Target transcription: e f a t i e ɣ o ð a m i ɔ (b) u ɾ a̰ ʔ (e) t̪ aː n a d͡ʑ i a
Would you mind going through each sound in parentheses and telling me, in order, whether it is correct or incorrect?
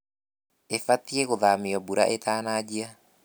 correct, correct

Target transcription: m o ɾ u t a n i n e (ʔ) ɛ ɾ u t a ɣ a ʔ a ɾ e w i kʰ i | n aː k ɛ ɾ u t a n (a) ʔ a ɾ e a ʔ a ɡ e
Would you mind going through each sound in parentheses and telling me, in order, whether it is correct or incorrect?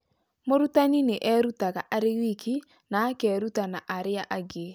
correct, correct

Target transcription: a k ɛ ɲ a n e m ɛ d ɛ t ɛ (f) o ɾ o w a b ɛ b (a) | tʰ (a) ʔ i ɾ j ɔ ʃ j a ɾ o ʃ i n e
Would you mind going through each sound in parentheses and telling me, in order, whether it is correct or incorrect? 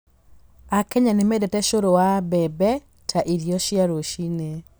incorrect, incorrect, correct

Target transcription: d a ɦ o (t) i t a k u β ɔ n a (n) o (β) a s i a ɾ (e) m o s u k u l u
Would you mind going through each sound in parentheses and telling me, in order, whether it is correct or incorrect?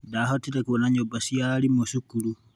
correct, incorrect, incorrect, incorrect

